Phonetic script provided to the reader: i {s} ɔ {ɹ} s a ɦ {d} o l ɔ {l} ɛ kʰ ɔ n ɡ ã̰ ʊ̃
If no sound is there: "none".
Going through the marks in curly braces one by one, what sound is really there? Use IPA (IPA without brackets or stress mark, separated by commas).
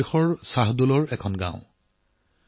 x, ɹ, d, ɹ